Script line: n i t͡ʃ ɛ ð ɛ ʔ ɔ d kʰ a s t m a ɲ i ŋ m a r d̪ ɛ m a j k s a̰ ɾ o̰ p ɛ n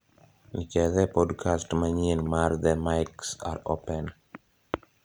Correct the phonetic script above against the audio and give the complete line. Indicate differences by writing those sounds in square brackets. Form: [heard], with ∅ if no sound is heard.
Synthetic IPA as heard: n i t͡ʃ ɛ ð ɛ [p] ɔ d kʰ a s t m a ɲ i [n] m a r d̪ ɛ m a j k s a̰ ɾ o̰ p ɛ n